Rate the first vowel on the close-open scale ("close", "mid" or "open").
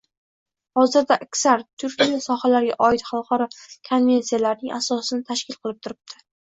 open